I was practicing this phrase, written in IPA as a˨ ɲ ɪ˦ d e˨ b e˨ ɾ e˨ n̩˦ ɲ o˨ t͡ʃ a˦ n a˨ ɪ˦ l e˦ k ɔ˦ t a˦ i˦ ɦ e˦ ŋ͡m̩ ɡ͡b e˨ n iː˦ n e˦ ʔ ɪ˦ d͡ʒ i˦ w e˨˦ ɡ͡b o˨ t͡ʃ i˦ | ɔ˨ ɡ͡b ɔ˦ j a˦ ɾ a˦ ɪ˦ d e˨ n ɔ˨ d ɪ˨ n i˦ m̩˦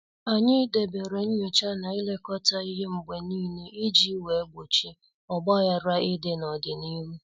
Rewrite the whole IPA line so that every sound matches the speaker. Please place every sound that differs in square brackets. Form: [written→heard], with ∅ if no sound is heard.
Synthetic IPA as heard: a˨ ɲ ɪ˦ d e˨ b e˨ ɾ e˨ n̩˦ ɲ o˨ t͡ʃ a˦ n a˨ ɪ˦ l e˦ k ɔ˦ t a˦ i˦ ɦ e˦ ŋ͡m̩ ɡ͡b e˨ n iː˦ n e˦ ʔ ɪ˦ d͡ʒ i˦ w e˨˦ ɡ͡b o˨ t͡ʃ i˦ | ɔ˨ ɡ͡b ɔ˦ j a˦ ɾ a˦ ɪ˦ d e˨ n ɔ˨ d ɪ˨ n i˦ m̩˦